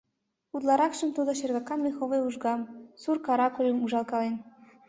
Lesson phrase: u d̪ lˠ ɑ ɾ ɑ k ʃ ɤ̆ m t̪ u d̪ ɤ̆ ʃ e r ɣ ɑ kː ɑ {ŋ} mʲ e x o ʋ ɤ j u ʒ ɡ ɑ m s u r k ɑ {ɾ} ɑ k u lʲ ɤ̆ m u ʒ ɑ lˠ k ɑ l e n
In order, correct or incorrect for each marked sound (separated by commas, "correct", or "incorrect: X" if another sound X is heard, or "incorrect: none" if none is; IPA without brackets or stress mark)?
incorrect: n, correct